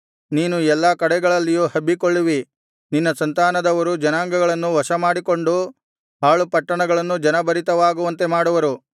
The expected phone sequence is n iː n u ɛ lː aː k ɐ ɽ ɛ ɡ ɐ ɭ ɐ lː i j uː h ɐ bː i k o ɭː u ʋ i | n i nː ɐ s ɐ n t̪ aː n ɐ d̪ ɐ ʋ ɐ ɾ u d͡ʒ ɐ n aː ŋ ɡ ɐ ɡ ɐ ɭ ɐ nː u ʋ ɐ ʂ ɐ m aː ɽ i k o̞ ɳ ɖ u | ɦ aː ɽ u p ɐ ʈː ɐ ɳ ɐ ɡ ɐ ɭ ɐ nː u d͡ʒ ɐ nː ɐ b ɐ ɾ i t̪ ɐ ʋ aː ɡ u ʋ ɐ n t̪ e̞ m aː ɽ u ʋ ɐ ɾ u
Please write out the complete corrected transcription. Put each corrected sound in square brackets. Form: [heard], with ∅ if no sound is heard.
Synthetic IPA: n iː n u ɛ lː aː k ɐ ɽ ɛ ɡ ɐ ɭ ɐ lː i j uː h ɐ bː i k o ɭː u ʋ i | n i nː ɐ s ɐ n t̪ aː n ɐ d̪ ɐ ʋ ɐ ɾ u d͡ʒ ɐ n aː ŋ ɡ ɐ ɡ ɐ ɭ ɐ nː u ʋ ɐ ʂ ɐ m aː ɽ i k o̞ ɳ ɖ u | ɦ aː [ɭ] u p ɐ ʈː ɐ ɳ ɐ ɡ ɐ ɭ ɐ nː u d͡ʒ ɐ [n] ɐ b ɐ ɾ i t̪ ɐ ʋ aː ɡ u ʋ ɐ n t̪ e̞ m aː ɽ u ʋ ɐ ɾ u